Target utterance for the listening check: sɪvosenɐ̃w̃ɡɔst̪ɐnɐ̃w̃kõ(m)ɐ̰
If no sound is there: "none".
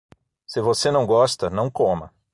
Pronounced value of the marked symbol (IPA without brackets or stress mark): m